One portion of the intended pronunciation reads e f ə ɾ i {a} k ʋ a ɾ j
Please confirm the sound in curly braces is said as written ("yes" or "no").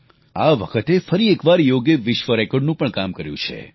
no